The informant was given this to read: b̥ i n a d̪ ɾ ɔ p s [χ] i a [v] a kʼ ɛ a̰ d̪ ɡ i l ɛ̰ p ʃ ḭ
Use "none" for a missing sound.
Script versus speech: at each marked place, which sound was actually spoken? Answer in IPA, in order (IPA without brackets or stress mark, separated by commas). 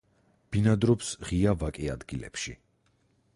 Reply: ʁ, v